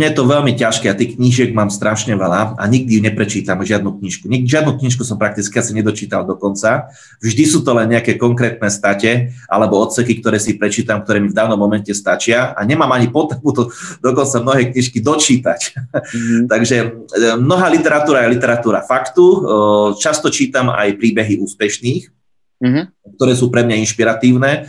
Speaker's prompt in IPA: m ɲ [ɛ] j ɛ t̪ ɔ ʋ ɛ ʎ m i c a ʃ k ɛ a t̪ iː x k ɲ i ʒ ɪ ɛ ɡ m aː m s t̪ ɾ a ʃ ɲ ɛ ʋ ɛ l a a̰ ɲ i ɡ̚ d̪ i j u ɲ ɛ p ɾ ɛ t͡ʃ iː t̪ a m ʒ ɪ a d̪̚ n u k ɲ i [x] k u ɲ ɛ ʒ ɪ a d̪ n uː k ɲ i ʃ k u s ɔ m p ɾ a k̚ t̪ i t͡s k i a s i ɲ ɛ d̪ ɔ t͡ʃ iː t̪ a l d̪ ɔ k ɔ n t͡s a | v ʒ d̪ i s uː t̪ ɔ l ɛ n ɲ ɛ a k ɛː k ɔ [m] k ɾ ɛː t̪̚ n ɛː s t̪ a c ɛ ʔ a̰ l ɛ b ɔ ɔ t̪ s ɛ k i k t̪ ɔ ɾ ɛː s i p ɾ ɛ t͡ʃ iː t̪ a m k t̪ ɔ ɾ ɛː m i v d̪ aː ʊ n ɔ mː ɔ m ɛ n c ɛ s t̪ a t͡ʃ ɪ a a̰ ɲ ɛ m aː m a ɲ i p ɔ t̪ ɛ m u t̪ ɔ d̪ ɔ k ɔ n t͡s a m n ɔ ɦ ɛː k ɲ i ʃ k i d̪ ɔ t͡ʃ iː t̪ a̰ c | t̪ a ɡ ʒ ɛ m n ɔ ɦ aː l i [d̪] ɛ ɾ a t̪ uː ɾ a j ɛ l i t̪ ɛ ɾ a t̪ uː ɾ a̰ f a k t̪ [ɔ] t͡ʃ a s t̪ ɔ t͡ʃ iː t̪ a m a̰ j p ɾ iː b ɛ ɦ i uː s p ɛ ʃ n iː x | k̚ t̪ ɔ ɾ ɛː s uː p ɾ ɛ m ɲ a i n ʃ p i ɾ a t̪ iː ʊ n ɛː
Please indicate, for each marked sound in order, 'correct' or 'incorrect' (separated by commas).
correct, incorrect, incorrect, incorrect, incorrect